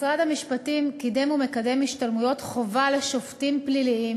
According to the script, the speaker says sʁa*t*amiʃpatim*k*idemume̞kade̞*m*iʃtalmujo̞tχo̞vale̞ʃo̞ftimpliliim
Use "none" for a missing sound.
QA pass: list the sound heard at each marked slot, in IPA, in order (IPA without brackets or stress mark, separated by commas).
d, k, m